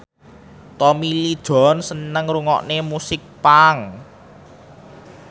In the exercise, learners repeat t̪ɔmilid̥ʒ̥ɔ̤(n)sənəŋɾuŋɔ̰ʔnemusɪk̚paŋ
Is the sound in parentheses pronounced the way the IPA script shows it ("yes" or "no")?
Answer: yes